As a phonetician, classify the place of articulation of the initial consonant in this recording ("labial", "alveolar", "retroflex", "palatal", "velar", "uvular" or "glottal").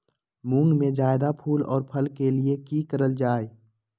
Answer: labial